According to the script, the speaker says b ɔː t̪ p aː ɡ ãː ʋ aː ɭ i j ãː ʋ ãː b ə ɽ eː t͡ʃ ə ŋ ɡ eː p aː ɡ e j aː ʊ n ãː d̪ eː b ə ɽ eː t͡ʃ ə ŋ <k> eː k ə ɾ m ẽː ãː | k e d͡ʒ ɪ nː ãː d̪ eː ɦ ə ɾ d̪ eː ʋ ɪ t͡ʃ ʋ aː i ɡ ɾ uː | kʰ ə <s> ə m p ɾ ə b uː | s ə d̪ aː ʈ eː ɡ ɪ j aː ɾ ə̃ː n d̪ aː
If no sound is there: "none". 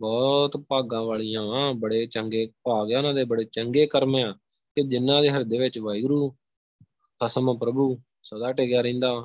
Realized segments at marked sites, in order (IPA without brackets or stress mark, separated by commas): ɡ, s